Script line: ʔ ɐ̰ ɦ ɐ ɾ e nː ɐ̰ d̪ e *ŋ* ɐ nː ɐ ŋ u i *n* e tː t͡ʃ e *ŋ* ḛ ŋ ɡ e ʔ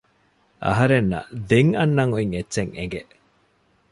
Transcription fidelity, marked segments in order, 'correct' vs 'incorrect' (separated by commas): correct, incorrect, correct